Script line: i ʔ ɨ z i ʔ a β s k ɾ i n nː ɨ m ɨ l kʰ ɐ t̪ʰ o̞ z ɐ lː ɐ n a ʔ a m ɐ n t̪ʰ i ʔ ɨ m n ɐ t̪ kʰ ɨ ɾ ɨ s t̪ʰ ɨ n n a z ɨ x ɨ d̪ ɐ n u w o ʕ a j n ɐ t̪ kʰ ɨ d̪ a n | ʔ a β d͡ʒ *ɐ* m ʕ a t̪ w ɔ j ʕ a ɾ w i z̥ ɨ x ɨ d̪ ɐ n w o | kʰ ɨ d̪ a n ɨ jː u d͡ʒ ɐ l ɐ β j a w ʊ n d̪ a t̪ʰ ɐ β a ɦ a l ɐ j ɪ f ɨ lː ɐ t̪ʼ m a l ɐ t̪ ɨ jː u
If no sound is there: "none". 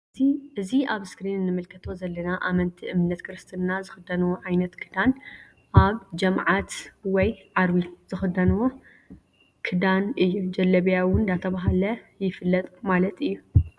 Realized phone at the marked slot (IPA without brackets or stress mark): ɐ